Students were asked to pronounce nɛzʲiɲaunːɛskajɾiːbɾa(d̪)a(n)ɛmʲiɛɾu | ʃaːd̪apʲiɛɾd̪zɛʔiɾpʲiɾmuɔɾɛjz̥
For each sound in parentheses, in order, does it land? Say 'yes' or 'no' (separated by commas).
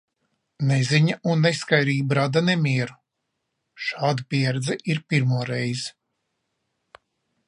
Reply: yes, yes